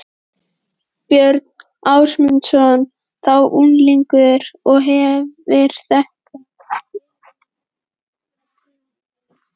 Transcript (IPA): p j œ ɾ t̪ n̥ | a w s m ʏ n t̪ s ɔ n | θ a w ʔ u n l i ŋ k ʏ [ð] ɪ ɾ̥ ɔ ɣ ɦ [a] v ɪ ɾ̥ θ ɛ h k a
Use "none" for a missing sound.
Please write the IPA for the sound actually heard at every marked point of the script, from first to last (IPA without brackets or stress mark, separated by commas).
ð, ɛ